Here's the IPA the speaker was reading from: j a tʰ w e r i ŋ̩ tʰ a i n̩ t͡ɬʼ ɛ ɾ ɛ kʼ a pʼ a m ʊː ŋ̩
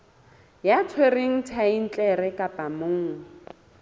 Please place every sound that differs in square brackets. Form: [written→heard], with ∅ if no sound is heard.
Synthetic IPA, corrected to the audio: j a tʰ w e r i ŋ̩ tʰ a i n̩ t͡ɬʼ ɛ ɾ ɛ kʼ a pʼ a m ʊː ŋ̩